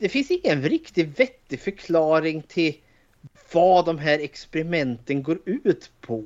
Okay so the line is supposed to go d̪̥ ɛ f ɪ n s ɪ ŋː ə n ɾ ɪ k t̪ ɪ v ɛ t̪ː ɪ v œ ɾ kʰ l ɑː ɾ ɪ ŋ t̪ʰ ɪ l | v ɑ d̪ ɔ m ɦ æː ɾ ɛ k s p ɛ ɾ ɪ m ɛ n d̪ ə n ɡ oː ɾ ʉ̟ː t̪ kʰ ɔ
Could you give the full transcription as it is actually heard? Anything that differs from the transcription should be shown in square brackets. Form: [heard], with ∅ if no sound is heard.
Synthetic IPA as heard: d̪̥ ɛ f ɪ n s ɪ ŋː ə n ɾ ɪ k t̪ ɪ v ɛ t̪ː ɪ [f] œ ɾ kʰ l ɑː ɾ ɪ ŋ t̪ʰ ɪ l | v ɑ d̪ ɔ m ɦ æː ɾ ɛ k s p ɛ ɾ ɪ m ɛ n [t̪] ə n ɡ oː ɾ ʉ̟ː t̪ [pʰ] ɔ